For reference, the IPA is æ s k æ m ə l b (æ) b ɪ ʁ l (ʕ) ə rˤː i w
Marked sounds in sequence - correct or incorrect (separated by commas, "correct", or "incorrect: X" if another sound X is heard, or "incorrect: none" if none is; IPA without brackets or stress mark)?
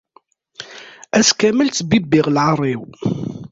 incorrect: i, correct